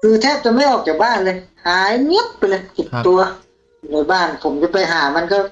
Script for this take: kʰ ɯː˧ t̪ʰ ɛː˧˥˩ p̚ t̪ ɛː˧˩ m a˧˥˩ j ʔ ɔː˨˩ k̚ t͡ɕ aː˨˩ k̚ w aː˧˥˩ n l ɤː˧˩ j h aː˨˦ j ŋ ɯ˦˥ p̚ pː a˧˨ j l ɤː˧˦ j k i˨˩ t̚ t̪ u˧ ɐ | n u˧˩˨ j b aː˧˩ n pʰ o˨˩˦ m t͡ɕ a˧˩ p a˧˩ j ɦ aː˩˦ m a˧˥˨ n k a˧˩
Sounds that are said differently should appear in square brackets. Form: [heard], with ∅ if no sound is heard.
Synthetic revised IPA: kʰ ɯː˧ t̪ʰ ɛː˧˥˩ p̚ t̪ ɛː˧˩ m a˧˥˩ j ʔ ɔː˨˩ k̚ t͡ɕ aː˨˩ k̚ [b] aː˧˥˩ n l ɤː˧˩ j h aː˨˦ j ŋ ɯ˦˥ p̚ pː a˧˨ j l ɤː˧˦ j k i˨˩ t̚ t̪ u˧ ɐ | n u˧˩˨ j b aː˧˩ n pʰ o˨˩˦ m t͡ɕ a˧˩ p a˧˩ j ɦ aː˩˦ m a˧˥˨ n k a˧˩

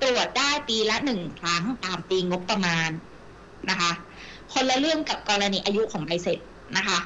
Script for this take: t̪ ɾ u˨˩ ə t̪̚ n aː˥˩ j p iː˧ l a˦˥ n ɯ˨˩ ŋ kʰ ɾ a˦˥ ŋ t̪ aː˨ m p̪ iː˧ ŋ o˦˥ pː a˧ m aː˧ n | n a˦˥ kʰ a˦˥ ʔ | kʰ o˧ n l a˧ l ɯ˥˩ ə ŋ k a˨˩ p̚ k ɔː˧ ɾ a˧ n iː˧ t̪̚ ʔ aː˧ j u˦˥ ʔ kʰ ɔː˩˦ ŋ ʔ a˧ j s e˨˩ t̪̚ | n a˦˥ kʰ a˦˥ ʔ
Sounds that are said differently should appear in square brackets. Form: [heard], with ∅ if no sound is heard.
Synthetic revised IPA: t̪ ɾ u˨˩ ə t̪̚ [d] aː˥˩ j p iː˧ l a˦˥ n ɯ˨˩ ŋ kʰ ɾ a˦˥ ŋ t̪ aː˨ m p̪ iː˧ ŋ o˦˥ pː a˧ m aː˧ n | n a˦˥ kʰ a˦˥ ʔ | kʰ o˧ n l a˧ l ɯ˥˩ ə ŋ k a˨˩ p̚ k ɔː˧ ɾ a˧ n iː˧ [∅] ʔ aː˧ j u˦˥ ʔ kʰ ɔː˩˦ ŋ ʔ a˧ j s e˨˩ t̪̚ | n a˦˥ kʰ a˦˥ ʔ

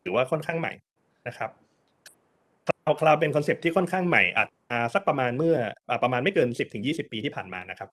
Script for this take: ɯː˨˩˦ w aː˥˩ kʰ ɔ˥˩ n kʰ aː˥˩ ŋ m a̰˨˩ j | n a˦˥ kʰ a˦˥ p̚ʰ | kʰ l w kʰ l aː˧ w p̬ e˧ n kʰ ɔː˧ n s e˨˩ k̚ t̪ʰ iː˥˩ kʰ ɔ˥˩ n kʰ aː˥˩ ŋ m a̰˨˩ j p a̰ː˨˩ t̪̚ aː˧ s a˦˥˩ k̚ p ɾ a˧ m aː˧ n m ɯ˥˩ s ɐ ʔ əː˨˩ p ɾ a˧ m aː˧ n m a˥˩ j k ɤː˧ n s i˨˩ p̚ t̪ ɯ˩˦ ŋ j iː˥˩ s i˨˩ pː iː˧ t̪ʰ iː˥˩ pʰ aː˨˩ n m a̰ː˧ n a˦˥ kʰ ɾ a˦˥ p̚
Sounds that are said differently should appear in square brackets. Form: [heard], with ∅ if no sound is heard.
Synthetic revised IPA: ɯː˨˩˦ w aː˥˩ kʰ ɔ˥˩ n kʰ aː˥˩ ŋ m a̰˨˩ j | n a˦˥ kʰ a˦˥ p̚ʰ | kʰ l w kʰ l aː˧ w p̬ e˧ n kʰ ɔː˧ n s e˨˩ [p̚] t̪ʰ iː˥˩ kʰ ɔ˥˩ n kʰ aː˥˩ ŋ m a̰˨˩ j [ʔ] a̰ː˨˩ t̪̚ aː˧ s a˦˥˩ k̚ p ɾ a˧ m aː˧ n m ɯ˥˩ [∅] ɐ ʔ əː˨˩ p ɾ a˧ m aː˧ n m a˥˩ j k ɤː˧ n s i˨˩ p̚ t̪ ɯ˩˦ ŋ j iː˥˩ s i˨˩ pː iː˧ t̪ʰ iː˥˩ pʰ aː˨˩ n m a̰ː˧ n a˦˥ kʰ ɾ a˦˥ p̚

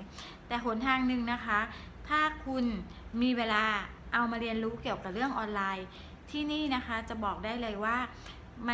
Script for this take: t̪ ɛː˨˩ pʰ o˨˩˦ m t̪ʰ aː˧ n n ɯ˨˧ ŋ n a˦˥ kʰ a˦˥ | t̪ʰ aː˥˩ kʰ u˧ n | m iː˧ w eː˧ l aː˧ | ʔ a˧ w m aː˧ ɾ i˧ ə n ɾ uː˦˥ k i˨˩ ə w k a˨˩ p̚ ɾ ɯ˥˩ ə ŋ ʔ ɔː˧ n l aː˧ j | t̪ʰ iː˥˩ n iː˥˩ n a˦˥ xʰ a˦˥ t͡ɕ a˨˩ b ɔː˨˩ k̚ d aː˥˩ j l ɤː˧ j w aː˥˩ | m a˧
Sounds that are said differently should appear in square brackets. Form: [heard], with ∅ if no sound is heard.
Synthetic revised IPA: t̪ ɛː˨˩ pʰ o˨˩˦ [n] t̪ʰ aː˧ [ŋ] n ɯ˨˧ ŋ n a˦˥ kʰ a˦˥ | t̪ʰ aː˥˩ kʰ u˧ n | m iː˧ w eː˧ l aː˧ | ʔ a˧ w m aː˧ ɾ i˧ ə n ɾ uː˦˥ k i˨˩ ə w k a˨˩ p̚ ɾ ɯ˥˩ ə ŋ ʔ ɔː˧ n l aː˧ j | t̪ʰ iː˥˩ n iː˥˩ n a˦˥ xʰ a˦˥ t͡ɕ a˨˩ b ɔː˨˩ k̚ d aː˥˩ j l ɤː˧ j w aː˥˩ | m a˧

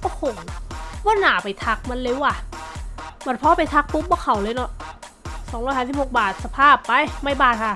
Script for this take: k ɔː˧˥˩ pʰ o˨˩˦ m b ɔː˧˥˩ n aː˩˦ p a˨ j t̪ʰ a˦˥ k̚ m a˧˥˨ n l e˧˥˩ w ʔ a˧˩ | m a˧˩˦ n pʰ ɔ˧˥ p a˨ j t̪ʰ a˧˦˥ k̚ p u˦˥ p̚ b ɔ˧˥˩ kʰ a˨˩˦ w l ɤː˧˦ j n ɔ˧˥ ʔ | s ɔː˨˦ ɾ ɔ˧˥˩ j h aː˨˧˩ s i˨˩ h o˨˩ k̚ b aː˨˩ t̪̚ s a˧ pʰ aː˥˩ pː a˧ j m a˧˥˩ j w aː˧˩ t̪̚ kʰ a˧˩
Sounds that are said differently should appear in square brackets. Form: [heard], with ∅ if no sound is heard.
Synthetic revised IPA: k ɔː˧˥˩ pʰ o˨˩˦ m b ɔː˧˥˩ n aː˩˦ p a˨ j t̪ʰ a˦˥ k̚ m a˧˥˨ n l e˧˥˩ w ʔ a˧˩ | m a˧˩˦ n pʰ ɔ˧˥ p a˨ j t̪ʰ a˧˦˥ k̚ p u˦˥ p̚ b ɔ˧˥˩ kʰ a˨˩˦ w l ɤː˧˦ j n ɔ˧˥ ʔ | s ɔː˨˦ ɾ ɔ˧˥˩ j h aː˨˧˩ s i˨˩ h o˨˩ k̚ b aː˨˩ t̪̚ s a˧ pʰ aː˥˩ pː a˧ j m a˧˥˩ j [b] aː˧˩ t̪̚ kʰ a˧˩

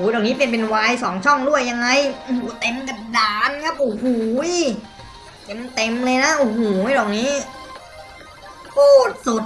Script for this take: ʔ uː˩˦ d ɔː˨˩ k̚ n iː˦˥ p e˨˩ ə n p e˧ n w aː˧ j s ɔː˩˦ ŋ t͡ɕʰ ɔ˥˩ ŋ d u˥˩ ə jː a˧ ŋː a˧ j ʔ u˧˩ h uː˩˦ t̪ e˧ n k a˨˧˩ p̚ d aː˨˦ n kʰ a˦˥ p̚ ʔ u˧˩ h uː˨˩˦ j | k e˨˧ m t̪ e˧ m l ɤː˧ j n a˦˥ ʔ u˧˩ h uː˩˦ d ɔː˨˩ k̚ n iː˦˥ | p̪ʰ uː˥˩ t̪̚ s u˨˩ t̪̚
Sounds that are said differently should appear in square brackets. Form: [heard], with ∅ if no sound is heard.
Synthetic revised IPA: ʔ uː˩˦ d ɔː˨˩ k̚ n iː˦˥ p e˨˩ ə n p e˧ n w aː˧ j s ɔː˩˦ ŋ t͡ɕʰ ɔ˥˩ ŋ d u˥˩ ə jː a˧ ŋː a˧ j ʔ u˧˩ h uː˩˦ t̪ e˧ [m] k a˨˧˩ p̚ d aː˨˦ n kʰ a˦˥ p̚ ʔ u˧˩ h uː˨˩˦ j | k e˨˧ m t̪ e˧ m l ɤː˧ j n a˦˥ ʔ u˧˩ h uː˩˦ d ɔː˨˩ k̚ n iː˦˥ | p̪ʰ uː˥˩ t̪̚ s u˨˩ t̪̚

